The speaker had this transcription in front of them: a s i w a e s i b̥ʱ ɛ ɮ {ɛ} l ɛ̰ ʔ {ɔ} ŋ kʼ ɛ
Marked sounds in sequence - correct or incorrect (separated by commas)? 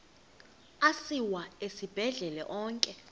correct, incorrect